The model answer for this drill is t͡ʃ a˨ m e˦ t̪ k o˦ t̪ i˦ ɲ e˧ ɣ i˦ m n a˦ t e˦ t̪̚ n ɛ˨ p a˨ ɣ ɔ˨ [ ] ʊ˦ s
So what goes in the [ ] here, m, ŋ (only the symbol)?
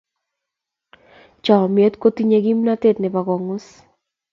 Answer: ŋ